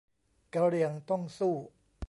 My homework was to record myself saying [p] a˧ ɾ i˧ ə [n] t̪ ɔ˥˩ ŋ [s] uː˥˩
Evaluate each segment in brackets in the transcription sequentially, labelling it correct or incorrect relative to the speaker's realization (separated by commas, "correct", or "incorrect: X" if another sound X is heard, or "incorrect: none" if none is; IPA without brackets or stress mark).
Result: incorrect: k, incorrect: ŋ, correct